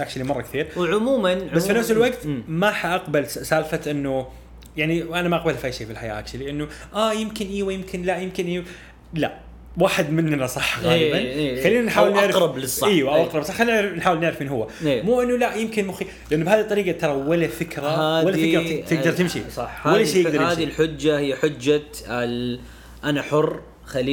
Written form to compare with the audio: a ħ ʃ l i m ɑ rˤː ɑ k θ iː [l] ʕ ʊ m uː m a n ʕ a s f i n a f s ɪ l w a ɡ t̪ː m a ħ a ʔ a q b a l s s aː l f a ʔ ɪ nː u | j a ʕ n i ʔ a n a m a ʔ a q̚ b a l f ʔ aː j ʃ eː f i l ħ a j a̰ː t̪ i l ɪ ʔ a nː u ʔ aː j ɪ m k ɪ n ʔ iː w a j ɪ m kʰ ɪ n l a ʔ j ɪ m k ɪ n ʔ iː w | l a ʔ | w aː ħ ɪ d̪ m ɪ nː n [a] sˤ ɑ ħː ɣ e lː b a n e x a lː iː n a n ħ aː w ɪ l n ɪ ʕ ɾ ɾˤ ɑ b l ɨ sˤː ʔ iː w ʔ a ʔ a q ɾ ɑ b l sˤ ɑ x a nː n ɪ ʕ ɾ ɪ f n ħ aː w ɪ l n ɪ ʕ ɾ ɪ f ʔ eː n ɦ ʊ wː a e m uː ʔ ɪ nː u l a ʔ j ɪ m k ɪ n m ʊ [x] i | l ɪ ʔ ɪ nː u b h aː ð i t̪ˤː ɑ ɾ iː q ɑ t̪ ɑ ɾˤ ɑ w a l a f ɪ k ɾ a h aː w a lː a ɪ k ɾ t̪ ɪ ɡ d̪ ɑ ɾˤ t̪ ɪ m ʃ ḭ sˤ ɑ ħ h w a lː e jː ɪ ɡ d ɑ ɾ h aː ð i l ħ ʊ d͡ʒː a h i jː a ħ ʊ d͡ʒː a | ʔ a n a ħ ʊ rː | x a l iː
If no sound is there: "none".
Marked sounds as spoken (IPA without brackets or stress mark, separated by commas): ɾ, a, x